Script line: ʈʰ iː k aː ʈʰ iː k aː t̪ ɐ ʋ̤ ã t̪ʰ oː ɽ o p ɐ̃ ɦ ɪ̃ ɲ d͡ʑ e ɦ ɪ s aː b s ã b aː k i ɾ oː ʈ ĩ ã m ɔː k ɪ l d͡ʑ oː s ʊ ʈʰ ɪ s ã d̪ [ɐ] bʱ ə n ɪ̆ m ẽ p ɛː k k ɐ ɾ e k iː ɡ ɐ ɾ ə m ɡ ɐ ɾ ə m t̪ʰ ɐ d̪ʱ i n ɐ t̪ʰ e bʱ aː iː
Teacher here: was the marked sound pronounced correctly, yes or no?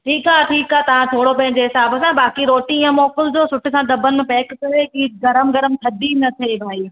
yes